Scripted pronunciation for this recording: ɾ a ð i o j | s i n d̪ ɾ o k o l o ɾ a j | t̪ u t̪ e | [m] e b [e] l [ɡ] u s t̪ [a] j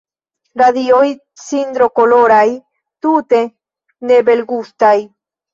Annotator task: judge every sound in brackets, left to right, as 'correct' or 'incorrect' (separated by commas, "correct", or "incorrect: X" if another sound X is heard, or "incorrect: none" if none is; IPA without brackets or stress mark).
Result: incorrect: n, correct, correct, correct